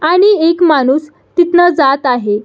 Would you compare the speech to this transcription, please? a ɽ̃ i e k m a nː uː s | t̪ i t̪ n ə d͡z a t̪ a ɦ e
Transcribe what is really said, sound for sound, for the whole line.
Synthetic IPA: a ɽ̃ i e k m a n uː s | t̪ i t̪ n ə d͡z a t̪ a ɦ e